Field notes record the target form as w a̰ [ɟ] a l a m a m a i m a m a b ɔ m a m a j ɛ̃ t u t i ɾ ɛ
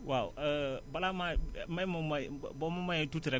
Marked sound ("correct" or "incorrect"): incorrect